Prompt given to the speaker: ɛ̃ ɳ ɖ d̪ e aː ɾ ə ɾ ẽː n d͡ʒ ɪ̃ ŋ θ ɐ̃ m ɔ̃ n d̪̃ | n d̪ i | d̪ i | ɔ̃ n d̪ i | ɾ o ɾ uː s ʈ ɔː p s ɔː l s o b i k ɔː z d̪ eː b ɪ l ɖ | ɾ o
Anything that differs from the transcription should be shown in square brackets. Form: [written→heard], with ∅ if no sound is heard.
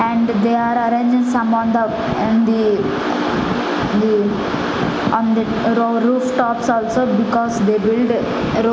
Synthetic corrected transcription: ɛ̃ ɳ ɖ d̪ e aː ɾ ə ɾ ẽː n d͡ʒ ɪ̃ ŋ [θ→s] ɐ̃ m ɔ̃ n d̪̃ | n d̪ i | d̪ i | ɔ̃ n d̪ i | ɾ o ɾ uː [s→f] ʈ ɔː p s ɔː l s o b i k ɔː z d̪ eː b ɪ l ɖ | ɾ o